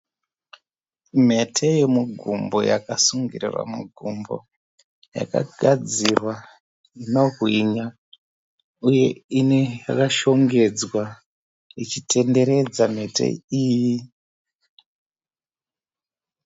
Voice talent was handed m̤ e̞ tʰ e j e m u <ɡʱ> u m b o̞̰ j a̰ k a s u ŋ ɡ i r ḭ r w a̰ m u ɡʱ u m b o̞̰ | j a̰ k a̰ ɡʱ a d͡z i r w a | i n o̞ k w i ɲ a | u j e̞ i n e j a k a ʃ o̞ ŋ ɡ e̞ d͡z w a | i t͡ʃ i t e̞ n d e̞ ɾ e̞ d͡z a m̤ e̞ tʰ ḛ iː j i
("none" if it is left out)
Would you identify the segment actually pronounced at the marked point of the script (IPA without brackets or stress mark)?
ɡʱ